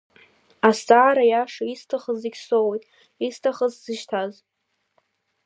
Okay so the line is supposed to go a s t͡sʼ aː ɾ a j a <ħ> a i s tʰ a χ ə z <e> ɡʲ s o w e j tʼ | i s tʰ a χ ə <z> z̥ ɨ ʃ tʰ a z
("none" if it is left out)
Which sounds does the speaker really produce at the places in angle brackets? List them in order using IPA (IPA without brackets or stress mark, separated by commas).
ʂ, i, z